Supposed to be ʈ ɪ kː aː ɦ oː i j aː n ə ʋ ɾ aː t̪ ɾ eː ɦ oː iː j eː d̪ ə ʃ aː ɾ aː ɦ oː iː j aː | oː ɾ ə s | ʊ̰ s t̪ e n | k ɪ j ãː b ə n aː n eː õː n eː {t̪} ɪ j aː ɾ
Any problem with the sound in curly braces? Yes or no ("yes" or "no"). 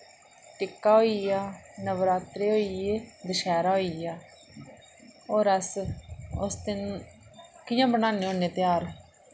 no